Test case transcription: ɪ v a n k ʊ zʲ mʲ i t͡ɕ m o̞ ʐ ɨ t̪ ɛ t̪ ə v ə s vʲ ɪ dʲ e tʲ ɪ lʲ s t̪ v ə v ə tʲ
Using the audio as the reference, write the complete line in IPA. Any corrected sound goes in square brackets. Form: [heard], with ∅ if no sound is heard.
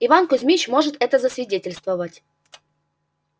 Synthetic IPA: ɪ v a n k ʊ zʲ mʲ i t͡ɕ m o̞ ʐ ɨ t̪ ɛ t̪ ə [z] ə s vʲ ɪ dʲ e tʲ ɪ lʲ s t̪ v ə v ə tʲ